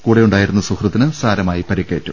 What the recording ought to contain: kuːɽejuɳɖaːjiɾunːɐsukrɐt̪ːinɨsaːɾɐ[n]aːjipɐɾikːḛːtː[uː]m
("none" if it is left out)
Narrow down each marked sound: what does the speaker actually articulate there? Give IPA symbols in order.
m, u

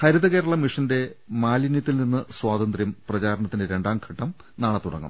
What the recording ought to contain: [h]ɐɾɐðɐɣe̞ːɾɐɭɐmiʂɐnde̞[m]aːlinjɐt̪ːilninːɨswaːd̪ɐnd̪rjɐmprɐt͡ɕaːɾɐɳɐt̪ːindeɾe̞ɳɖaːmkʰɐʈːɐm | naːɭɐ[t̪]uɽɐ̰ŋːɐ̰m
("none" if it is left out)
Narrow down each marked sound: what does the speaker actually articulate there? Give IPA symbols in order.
h, m, t̪

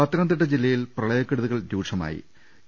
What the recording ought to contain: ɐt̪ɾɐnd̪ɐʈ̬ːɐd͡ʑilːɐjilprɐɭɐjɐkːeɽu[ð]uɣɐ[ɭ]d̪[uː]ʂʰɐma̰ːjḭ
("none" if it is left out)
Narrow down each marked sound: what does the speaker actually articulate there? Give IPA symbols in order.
ð, ɭ, uː

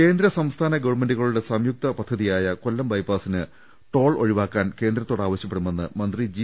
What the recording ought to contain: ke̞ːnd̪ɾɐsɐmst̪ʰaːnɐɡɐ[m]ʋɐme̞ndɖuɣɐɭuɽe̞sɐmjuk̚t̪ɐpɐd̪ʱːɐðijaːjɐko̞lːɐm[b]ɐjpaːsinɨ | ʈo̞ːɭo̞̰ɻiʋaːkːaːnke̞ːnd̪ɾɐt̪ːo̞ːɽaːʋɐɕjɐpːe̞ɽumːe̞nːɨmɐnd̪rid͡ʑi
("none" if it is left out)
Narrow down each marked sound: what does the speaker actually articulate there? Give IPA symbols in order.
none, b

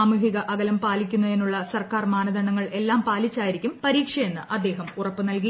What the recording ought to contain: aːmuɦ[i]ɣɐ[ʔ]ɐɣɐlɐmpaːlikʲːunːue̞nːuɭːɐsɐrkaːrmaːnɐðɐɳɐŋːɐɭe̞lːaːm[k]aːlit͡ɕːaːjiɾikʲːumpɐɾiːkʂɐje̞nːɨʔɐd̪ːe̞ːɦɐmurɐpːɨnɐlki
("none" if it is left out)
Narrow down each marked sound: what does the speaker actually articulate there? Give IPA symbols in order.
i, ʔ, p

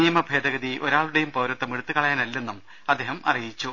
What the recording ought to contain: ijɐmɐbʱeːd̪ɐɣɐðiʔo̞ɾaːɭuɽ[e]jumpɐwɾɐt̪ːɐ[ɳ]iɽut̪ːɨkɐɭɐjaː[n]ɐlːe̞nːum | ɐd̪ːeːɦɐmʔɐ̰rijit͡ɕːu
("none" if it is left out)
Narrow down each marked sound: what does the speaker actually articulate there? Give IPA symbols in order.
e, m, n

